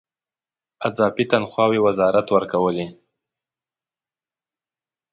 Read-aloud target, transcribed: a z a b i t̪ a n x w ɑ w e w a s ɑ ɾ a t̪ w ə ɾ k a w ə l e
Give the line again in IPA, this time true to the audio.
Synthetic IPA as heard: a z ɑ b i t̪ a n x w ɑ w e w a z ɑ ɾ a t̪ w ə ɾ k a w ə l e